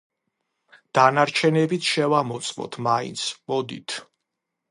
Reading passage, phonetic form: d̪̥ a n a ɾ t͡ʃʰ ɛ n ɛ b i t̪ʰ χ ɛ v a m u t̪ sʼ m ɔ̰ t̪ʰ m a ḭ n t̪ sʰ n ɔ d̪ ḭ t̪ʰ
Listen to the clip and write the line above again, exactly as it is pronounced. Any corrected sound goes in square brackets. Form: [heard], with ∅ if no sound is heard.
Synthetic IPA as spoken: d̪̥ a n a ɾ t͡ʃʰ ɛ n ɛ b i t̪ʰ [ʃ] ɛ v a m [ɔ] t̪ sʼ m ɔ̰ t̪ʰ m a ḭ n t̪ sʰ [m] ɔ d̪ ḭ t̪ʰ